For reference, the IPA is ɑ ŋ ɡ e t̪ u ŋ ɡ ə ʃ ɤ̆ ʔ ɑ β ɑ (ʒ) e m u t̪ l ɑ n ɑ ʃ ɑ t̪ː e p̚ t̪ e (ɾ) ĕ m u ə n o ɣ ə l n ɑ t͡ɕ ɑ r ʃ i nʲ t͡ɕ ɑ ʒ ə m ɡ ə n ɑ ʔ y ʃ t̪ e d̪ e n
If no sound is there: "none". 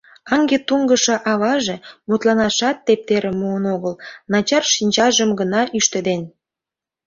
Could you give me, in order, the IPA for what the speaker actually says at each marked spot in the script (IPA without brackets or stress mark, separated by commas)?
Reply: ʒ, ɾ